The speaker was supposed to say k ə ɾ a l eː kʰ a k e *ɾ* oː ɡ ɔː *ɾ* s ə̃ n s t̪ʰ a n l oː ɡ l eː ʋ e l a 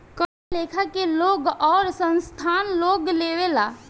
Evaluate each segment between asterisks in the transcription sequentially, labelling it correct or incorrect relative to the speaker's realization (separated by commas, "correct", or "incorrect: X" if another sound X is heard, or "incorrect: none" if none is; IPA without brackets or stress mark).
incorrect: l, correct